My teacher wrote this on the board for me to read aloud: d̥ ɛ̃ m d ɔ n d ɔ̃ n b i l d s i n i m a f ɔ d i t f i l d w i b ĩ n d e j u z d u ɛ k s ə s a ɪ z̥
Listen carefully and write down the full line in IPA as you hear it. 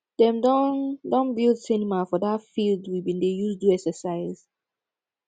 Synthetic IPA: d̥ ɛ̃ m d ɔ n d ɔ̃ n b i l d s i n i m a f ɔ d a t f i l d w i b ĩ n d e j u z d u ɛ k s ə s a ɪ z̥